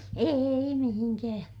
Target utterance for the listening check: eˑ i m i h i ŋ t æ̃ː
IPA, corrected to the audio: eˑ i m i h i ŋ k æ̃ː